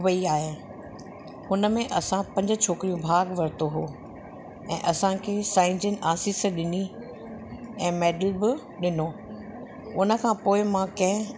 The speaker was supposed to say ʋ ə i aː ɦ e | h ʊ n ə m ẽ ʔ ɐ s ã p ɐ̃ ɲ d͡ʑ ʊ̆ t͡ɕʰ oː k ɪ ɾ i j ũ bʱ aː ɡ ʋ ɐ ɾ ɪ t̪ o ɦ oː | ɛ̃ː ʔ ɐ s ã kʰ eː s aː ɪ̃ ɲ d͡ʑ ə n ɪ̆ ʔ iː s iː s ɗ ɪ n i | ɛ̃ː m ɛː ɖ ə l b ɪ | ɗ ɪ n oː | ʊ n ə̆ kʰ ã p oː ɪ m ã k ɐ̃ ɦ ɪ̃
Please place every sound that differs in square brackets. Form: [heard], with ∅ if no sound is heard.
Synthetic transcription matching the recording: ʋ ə i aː ɦ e | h ʊ n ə m ẽ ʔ ɐ s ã p ɐ̃ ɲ d͡ʑ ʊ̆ t͡ɕʰ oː k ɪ ɾ i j ũ bʱ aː ɡ ʋ ɐ ɾ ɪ t̪ o ɦ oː | ɛ̃ː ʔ ɐ s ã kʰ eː s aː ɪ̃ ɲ d͡ʑ ə n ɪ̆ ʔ [aː] s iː s ɗ ɪ n i | ɛ̃ː m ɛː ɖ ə l b ɪ | ɗ ɪ n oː | ʊ n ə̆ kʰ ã p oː ɪ m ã k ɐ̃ ɦ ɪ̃